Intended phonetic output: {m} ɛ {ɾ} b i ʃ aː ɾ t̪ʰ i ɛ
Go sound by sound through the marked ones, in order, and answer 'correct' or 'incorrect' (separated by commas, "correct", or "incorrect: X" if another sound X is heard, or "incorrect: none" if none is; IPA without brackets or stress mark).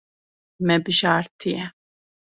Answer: correct, incorrect: none